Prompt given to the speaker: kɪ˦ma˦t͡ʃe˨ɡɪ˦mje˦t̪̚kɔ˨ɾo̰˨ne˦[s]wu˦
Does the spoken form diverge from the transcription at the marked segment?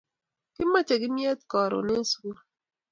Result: no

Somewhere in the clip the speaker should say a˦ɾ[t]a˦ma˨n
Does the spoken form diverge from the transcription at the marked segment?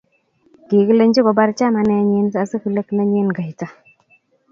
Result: yes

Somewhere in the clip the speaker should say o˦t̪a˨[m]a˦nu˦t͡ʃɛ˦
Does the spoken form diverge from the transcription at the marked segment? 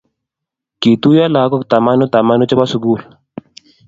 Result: no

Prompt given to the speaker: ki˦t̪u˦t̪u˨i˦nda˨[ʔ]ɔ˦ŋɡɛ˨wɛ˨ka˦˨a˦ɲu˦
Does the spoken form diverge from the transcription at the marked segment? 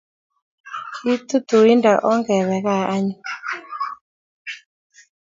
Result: no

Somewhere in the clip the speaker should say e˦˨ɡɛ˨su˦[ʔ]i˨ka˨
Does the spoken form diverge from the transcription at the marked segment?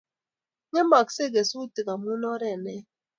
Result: yes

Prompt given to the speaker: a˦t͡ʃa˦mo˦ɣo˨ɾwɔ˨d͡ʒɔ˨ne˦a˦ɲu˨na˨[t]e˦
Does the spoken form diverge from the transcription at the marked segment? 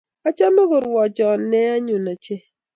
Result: yes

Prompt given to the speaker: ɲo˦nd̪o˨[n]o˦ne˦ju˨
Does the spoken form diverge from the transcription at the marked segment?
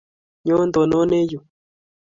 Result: no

